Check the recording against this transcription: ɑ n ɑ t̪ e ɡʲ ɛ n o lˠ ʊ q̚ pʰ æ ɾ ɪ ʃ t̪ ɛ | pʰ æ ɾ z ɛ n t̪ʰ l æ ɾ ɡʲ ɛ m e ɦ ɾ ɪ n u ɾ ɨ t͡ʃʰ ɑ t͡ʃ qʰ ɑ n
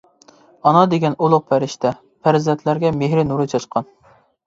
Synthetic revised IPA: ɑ n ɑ d̪ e ɡʲ ɛ n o lˠ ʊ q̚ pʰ æ ɾ ɪ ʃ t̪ ɛ | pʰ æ ɾ z ɛ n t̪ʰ l æ ɾ ɡʲ ɛ m e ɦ ɾ ɪ n u ɾ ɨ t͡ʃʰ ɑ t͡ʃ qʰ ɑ n